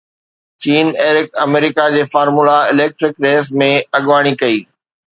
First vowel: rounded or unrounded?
unrounded